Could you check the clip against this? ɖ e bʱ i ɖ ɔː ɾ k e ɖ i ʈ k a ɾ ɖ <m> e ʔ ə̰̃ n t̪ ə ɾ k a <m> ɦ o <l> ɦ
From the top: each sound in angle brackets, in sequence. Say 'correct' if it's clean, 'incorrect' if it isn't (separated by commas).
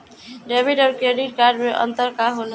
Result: correct, incorrect, correct